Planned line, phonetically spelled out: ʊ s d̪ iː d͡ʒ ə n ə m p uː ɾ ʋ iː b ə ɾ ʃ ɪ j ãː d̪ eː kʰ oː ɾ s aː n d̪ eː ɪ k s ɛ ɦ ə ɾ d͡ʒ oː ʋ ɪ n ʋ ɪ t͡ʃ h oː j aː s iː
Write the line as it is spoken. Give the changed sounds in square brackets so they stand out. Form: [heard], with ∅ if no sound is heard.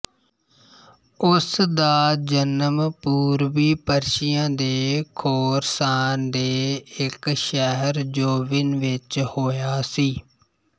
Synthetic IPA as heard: ʊ s d̪ [aː] d͡ʒ ə n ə m p uː ɾ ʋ iː [p] ə ɾ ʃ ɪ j ãː d̪ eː kʰ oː ɾ s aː n d̪ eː ɪ k [ʃ] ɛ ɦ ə ɾ d͡ʒ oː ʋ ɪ n ʋ ɪ t͡ʃ h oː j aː s iː